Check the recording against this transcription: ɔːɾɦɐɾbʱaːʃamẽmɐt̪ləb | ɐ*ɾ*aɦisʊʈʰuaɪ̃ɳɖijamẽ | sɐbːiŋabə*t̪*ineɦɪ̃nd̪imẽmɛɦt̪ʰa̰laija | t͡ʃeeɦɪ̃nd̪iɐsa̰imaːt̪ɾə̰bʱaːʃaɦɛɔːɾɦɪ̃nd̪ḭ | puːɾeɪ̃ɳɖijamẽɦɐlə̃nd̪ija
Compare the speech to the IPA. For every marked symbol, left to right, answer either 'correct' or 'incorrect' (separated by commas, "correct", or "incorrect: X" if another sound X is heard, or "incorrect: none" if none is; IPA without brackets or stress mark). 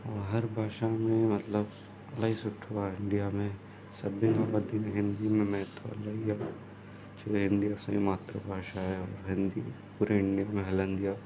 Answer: incorrect: l, incorrect: d̪